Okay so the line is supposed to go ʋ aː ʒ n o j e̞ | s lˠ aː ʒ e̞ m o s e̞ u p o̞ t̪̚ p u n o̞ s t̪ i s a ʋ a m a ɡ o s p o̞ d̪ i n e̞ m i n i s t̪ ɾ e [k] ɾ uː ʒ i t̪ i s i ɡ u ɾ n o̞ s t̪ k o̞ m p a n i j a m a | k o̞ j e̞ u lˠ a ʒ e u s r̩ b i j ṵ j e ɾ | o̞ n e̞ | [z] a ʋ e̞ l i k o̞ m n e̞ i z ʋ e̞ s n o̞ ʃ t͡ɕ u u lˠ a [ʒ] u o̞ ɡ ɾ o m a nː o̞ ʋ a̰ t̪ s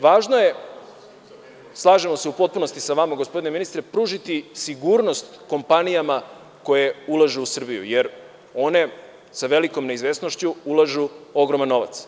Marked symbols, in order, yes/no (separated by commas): no, no, yes